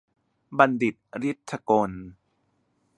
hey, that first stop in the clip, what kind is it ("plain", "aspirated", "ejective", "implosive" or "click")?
plain